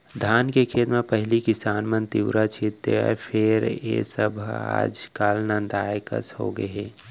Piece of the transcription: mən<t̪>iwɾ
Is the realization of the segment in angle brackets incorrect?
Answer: no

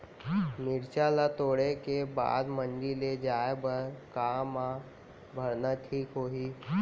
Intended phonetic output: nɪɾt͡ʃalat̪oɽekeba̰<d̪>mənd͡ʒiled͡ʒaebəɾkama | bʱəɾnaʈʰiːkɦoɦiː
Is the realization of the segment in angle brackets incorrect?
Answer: no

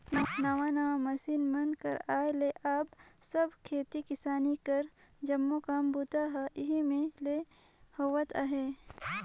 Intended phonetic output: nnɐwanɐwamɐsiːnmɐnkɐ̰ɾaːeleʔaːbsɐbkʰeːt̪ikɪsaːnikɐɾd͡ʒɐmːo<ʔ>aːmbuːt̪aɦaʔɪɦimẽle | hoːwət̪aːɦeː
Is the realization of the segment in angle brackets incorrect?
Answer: yes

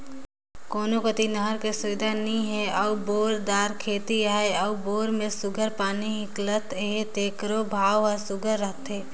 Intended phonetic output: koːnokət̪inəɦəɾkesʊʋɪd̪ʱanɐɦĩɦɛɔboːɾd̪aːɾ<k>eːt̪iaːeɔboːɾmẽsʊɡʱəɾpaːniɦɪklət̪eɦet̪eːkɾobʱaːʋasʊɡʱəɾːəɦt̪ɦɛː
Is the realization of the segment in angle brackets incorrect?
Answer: yes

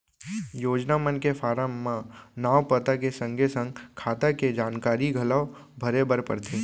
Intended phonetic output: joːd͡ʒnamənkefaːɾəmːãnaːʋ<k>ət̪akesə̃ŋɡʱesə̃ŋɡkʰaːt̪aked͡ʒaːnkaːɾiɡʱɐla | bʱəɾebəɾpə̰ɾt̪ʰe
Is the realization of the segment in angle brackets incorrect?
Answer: yes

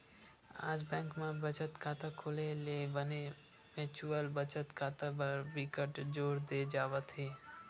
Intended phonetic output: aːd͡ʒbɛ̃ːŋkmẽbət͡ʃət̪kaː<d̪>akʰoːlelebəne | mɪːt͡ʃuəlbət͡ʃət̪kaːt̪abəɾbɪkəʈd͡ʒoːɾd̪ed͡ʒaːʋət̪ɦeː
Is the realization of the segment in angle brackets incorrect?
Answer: yes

